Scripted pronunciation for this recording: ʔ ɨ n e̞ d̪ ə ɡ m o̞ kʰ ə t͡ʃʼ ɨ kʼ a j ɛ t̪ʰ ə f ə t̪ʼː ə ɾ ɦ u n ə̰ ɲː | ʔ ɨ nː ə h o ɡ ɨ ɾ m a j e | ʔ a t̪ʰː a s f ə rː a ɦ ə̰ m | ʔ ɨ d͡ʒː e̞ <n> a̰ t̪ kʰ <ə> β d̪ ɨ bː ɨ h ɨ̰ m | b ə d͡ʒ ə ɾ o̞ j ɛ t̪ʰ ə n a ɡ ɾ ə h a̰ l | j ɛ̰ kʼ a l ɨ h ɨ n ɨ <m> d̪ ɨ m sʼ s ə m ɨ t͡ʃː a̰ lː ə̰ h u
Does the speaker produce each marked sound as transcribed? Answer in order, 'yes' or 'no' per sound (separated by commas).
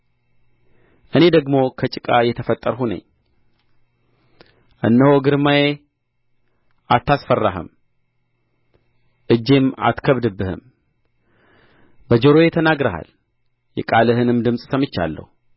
no, yes, yes